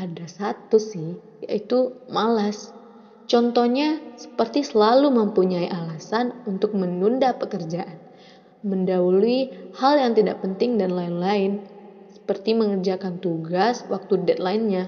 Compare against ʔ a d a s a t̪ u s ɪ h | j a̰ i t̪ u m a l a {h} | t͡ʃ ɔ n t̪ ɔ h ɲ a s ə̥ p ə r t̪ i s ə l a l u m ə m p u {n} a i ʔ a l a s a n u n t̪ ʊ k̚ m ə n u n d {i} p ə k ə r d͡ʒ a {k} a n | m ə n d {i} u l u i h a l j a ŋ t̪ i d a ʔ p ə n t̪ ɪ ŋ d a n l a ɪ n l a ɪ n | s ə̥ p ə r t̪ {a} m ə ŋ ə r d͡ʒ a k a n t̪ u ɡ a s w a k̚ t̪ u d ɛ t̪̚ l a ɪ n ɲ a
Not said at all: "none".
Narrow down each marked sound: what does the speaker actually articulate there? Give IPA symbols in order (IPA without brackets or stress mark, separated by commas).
s, ɲ, a, ʔ, a, i